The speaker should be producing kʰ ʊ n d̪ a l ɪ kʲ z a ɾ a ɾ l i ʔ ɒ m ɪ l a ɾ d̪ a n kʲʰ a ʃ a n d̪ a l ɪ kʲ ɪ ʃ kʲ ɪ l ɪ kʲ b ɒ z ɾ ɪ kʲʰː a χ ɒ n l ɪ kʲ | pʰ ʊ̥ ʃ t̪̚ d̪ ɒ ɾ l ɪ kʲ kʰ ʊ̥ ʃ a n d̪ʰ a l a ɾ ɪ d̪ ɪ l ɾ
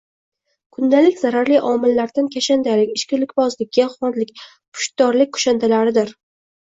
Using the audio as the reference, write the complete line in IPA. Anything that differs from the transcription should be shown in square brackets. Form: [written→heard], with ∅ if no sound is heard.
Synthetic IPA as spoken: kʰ ʊ n d̪ a l ɪ kʲ z a ɾ a ɾ l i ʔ ɒ m ɪ [l→lː] a ɾ d̪ a n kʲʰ a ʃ a n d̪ a l ɪ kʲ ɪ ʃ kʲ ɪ l ɪ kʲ b ɒ z [ɾ→l] ɪ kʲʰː a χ ɒ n l ɪ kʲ | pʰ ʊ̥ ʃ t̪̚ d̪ ɒ ɾ l ɪ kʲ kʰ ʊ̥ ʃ a n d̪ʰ a l a ɾ ɪ d̪ ɪ [l→∅] ɾ